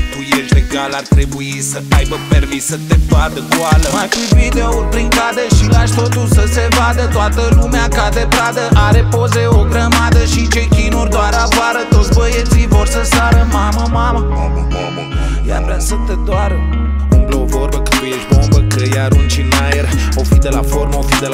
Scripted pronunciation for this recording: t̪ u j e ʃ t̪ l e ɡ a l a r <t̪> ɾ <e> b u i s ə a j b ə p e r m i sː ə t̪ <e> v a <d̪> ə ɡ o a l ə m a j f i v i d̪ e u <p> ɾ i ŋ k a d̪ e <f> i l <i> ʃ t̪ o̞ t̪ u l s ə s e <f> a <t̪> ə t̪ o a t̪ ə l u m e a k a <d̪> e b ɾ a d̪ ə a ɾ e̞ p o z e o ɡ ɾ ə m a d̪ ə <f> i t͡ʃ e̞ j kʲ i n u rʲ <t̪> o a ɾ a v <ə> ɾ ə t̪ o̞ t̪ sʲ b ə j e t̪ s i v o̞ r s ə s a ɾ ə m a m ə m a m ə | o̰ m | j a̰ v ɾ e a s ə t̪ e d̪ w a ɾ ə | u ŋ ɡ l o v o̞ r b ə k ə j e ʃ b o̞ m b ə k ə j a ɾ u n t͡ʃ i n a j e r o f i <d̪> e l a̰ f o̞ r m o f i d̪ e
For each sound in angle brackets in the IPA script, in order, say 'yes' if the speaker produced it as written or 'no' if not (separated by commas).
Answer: yes, yes, yes, yes, yes, no, no, no, no, yes, no, no, no, yes